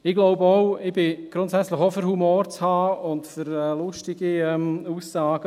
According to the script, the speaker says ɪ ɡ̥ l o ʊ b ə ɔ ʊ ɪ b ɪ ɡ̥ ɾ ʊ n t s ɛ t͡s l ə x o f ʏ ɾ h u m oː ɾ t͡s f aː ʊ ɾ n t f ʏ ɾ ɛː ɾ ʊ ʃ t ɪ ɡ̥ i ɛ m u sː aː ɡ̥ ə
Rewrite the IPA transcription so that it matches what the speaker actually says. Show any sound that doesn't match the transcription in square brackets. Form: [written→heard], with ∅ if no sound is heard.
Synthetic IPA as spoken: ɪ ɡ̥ l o ʊ b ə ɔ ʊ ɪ b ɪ ɡ̥ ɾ ʊ n t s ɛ t͡s l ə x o f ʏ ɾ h u m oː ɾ t͡s [f→h] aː ʊ [ɾ→∅] n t f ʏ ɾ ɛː [ɾ→l] ʊ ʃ t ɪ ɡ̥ i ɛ m u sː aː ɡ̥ ə

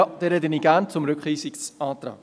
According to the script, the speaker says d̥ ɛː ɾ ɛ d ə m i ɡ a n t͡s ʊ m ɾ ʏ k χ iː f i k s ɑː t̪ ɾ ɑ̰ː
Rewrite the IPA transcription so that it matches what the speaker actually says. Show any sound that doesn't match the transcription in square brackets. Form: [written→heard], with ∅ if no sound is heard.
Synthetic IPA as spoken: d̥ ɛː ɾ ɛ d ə [m→n] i ɡ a n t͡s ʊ m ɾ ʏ k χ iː [f→s] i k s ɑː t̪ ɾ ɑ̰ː

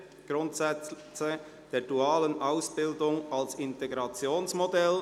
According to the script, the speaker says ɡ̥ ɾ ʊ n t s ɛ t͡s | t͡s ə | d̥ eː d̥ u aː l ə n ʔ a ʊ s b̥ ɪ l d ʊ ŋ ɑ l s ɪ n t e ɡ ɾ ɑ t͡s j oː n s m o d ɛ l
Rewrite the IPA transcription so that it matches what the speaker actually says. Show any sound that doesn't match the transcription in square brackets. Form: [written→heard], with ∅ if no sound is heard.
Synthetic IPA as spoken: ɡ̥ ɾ ʊ n t s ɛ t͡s | t͡s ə | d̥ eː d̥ u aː l ə n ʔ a ʊ s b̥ ɪ l d ʊ ŋ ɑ l s ɪ n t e ɡ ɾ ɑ t͡s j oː n s m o d ɛ l

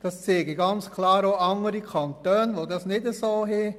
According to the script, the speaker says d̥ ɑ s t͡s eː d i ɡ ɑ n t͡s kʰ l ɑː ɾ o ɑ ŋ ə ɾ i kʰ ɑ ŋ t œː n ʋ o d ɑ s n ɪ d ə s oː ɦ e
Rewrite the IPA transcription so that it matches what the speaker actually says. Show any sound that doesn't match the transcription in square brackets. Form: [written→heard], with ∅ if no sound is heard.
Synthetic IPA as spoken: d̥ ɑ s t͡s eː [d→ɡ] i ɡ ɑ n t͡s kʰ l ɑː ɾ o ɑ ŋ ə ɾ i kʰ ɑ [ŋ→n] t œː n ʋ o d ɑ s n ɪ d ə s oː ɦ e

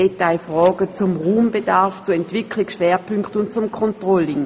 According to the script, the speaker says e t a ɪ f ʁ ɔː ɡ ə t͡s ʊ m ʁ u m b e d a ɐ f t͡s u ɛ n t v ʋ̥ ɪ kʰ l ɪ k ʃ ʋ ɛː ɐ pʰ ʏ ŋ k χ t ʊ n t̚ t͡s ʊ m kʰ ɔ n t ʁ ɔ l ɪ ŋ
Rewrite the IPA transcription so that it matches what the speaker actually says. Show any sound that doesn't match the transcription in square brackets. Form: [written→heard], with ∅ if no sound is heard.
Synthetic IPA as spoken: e t a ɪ f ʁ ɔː ɡ ə t͡s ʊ m ʁ [u→uː] m b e d a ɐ f t͡s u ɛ n t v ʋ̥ ɪ kʰ l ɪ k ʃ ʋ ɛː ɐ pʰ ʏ ŋ k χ t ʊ n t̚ t͡s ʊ m kʰ ɔ n t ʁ ɔ l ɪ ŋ

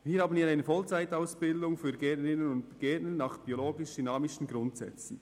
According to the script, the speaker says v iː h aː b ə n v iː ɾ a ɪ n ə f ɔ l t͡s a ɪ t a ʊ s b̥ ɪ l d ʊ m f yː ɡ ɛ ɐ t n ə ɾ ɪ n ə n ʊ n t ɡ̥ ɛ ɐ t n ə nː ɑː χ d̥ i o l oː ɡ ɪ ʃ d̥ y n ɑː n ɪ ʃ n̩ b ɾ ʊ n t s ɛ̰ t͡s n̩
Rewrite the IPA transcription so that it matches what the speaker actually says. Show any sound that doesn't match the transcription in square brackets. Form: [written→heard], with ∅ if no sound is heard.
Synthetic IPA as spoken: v iː h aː b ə n v iː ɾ a ɪ n ə f ɔ l t͡s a ɪ t a ʊ s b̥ ɪ l d ʊ [m→ŋ] f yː ɡ ɛ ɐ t n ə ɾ ɪ n ə n ʊ n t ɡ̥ ɛ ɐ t n ə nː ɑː χ [d̥→b̥] i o l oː ɡ ɪ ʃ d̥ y n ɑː [n→m] ɪ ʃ n̩ [b→ɡ] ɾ ʊ n t s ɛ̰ t͡s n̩

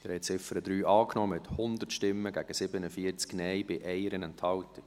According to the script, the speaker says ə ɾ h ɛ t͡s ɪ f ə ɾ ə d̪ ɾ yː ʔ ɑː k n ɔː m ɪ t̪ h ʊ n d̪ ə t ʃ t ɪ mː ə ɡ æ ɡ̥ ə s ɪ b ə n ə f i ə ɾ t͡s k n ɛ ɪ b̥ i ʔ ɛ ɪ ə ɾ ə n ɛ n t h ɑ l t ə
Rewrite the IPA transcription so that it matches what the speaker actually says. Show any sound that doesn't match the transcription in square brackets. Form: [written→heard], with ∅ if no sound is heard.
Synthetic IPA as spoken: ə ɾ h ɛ t͡s ɪ f ə ɾ ə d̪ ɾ yː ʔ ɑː k n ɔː m ɪ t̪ h ʊ n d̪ ə t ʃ t ɪ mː ə ɡ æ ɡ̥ ə s ɪ b ə n ə f i ə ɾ t͡s k n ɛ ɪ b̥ [i→ɪ] ʔ ɛ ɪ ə ɾ ə n ɛ n t h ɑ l t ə

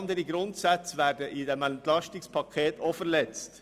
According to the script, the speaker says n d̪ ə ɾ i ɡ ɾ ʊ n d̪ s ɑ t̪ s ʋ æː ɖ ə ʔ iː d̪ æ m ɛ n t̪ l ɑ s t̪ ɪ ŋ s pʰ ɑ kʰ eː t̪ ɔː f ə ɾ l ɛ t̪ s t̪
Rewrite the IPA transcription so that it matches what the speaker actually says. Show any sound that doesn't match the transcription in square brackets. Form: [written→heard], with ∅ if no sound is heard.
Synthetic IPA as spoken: n d̪ ə ɾ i ɡ ɾ ʊ n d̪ s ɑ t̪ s ʋ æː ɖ ə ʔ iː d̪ [æ→ɛ] m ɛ n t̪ l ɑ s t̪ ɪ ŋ s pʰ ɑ kʰ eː t̪ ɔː f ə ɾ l ɛ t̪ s t̪

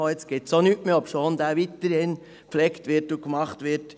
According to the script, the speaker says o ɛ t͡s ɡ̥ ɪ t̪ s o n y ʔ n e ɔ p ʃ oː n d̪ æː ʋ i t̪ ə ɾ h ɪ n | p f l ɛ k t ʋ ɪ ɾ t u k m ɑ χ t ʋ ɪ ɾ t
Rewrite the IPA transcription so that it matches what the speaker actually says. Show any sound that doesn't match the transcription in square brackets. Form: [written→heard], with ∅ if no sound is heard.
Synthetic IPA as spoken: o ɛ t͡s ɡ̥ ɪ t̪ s o n y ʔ [n→m] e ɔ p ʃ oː n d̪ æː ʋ i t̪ ə ɾ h ɪ n | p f l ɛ k t ʋ ɪ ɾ t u k m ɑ χ t ʋ ɪ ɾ t

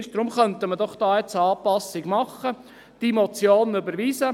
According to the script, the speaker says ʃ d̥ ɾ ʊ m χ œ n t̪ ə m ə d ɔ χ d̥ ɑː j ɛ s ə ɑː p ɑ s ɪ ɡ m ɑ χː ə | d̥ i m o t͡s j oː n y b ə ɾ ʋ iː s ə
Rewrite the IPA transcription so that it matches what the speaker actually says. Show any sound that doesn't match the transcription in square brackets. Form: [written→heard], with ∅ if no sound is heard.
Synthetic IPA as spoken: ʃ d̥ ɾ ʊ m χ œ n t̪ ə m ə d ɔ χ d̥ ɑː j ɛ [s→t͡s] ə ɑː p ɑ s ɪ ɡ m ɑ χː ə | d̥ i m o t͡s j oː n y b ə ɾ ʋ iː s ə

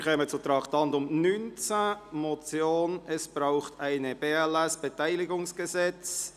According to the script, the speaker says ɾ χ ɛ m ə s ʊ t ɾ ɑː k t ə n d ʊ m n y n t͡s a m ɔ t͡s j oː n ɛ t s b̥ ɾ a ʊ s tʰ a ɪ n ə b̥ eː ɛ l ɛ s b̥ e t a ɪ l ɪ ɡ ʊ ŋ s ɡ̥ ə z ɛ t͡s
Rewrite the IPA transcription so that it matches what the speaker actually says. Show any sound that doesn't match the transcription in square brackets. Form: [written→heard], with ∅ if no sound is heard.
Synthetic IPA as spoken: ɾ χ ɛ m ə [s→t͡s] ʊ t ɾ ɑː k t [ə→ɑ] n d ʊ m n y n t͡s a m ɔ t͡s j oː n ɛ [t→∅] s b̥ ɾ a ʊ [s→χ] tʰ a ɪ n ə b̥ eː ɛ l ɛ s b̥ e t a ɪ l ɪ ɡ ʊ ŋ s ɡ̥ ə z ɛ t͡s

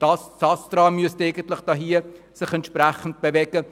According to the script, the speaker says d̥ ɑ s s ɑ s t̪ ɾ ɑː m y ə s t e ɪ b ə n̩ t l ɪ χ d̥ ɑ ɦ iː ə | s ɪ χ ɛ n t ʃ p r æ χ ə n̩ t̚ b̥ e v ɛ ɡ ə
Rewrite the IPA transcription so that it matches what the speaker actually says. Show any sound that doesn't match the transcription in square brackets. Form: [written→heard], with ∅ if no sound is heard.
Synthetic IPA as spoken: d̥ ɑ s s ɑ s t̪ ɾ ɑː m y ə s t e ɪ [b→ɡ] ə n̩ t l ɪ χ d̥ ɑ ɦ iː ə | s ɪ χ ɛ n t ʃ p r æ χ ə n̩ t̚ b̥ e v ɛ ɡ ə

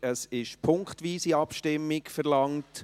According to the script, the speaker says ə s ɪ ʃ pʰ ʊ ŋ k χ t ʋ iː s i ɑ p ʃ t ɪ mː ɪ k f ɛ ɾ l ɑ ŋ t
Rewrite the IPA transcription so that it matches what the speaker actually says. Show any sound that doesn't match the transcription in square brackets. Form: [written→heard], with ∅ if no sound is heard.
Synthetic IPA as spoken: ə s ɪ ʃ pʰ ʊ ŋ k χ t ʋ iː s i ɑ p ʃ t ɪ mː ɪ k f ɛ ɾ l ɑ ŋ t

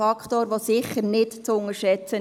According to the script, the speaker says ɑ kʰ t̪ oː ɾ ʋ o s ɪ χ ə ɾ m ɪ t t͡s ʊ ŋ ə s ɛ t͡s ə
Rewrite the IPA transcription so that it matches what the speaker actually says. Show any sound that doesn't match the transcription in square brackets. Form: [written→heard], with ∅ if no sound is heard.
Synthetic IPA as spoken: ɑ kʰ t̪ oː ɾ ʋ o s ɪ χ ə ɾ [m→n] ɪ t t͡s ʊ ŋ ə [s→ʃ] ɛ t͡s ə

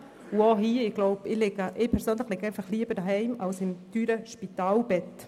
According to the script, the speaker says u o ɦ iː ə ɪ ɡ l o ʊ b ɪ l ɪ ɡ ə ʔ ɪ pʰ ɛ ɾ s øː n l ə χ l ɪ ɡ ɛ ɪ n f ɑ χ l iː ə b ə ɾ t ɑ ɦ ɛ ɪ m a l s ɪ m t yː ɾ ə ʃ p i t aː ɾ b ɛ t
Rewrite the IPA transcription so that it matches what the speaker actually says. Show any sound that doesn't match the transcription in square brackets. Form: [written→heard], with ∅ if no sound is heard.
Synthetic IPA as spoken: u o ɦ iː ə ɪ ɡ l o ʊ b ɪ l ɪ ɡ ə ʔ ɪ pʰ ɛ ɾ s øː n l ə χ l ɪ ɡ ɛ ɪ n f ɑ χ l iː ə b ə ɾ [t→d] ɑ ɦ ɛ ɪ m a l s ɪ m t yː ɾ ə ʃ p i t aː [ɾ→l] b ɛ t

